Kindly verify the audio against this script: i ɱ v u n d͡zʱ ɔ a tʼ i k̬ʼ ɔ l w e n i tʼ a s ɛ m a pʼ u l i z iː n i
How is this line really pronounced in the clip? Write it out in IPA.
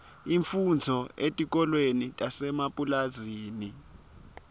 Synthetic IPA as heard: i ɱ f u n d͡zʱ ɔ e tʼ i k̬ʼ ɔ l w e n i tʼ a s ɛ m a pʼ u l a z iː n i